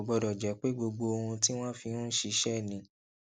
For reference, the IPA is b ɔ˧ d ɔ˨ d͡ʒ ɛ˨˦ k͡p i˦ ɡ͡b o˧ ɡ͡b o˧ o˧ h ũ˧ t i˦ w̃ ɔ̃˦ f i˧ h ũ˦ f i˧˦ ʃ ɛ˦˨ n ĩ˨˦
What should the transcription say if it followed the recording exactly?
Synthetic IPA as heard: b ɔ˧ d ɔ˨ d͡ʒ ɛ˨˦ k͡p e˦ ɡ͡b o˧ ɡ͡b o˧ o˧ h ũ˧ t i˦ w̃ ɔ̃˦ f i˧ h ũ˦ ʃ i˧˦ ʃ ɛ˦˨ n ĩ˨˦